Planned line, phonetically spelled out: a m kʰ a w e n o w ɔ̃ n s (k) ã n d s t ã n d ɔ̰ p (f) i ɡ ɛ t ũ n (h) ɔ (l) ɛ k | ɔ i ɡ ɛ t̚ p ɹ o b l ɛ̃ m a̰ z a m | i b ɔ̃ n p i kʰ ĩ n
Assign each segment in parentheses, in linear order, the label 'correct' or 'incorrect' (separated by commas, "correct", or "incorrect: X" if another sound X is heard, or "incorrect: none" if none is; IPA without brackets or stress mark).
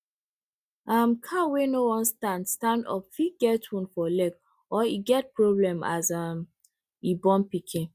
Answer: incorrect: t, correct, incorrect: f, correct